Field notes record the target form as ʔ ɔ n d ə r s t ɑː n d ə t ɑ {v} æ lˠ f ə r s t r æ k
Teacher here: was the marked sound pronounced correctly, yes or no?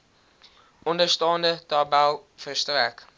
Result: no